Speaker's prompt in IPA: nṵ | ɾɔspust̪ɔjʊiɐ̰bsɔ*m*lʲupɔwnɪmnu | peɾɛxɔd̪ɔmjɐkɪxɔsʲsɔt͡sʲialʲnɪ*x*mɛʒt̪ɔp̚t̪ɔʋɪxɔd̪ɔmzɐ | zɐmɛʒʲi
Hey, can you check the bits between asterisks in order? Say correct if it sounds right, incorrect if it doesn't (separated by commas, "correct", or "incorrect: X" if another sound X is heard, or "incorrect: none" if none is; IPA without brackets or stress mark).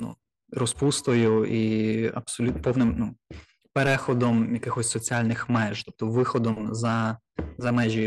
incorrect: none, correct